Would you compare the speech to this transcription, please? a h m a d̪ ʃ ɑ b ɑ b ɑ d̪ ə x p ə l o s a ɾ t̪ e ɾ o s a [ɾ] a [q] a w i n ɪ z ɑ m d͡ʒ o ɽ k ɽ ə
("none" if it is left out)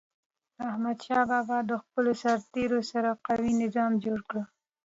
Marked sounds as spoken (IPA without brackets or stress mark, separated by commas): ɾ, q